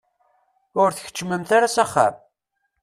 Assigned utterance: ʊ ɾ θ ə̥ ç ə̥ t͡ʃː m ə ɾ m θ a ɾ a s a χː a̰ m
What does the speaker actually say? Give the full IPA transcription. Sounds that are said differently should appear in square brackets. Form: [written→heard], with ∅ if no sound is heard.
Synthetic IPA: ʊ ɾ θ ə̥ ç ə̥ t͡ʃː m ə [ɾ→∅] m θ a ɾ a s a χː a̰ m

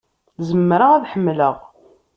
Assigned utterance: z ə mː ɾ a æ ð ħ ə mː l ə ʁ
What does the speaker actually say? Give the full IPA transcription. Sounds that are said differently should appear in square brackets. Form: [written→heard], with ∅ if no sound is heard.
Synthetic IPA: z ə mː ɾ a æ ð ħ ə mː l ə ʁ

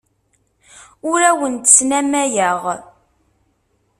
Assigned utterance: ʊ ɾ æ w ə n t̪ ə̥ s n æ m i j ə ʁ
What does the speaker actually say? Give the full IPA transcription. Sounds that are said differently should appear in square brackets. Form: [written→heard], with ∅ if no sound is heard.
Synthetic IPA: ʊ ɾ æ w ə n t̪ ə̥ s n æ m [i→æ] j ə ʁ

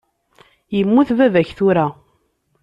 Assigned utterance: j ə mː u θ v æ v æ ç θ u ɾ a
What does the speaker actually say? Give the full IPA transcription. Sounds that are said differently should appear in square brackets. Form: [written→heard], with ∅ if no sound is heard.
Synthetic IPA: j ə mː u θ v æ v æ ç θ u ɾ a

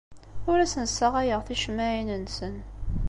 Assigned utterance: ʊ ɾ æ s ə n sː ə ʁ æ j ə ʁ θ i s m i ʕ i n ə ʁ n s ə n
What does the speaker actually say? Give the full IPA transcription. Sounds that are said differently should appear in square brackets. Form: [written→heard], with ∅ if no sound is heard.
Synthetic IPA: ʊ ɾ æ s ə n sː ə ʁ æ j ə ʁ θ i [s→ʃ] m [i→æ] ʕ i n ə [ʁ→∅] n s ə n

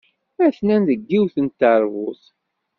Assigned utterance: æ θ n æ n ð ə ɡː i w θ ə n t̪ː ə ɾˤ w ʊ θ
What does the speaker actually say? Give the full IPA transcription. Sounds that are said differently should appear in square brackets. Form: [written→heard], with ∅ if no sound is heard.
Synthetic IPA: æ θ n æ n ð ə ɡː i w θ ə n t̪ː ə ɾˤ [w→v] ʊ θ

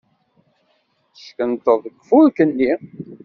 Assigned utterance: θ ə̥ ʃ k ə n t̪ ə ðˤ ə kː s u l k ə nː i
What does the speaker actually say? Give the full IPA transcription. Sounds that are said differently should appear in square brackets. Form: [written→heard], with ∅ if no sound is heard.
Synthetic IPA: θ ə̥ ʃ k ə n t̪ ə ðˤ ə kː [s→f] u l k ə nː i

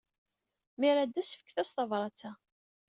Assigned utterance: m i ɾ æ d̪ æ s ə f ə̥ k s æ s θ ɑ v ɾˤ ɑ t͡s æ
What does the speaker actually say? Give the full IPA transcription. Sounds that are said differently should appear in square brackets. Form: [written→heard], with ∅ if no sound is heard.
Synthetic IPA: m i ɾ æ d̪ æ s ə f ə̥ k [s→θ] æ s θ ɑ v ɾˤ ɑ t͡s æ

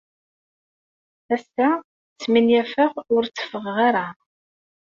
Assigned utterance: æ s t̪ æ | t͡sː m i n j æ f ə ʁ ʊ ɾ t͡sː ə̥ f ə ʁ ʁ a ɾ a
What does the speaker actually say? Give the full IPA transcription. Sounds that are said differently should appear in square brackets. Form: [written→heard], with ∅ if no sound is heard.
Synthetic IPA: æ s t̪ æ | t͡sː m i n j æ f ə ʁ ʊ ɾ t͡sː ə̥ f ə ʁ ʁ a ɾ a

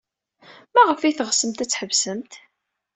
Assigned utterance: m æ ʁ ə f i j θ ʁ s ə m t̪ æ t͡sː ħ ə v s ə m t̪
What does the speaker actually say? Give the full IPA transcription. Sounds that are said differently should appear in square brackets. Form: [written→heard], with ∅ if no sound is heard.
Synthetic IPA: m æ ʁ ə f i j θ ʁ s ə m t̪ æ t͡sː ħ ə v s ə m t̪

